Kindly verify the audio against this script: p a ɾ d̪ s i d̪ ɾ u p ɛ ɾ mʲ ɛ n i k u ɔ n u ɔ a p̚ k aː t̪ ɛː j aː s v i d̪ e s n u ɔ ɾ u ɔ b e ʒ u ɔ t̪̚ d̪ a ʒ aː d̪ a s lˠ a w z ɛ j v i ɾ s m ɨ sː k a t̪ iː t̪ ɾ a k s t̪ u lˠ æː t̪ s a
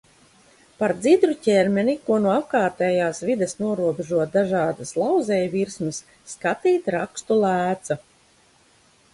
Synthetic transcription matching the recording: p a ɾ d̪ z i d̪ ɾ u c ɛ ɾ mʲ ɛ n i k u ɔ n u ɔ a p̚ k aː t̪ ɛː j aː s v i d̪ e s n u ɔ ɾ u ɔ b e ʒ u ɔ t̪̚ d̪ a ʒ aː d̪ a s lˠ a w z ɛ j v i ɾ s m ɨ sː k a t̪ iː t̪ ɾ a k s t̪ u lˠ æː t̪ s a